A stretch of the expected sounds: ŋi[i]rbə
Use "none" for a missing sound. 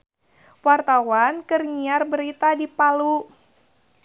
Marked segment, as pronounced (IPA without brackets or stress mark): a